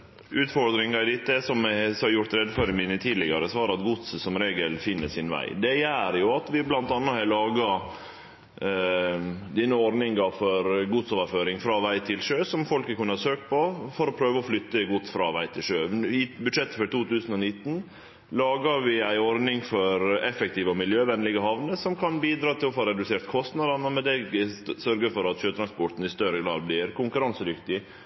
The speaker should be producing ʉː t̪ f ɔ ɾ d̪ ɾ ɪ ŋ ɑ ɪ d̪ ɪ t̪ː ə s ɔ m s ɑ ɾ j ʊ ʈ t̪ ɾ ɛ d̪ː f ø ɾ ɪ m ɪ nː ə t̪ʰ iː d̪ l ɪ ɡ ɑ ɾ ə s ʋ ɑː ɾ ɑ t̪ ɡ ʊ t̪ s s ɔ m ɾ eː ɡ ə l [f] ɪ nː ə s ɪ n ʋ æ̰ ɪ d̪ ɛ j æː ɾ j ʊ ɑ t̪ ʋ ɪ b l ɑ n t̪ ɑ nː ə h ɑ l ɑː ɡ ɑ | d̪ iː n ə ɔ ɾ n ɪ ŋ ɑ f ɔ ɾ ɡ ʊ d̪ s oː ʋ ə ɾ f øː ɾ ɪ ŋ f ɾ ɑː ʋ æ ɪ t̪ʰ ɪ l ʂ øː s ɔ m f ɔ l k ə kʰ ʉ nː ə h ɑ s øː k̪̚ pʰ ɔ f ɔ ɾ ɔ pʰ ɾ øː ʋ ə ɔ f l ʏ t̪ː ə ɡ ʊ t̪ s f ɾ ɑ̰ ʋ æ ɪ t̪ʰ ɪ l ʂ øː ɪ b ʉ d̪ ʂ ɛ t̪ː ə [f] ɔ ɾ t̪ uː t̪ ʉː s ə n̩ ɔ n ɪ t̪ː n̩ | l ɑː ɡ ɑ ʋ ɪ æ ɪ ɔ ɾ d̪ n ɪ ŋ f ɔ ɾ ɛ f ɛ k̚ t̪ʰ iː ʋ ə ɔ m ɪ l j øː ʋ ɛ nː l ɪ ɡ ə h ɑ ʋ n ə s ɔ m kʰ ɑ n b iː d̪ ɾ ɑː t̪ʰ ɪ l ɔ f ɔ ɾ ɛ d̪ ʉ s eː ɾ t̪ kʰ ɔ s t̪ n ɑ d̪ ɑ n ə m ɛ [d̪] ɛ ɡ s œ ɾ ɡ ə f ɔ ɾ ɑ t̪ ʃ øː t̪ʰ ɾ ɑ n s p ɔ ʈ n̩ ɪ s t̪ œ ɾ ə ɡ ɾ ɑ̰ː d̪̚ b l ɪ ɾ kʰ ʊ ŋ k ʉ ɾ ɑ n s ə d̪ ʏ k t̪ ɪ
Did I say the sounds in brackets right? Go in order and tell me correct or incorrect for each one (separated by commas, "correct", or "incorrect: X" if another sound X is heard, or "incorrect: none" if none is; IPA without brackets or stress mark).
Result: correct, correct, correct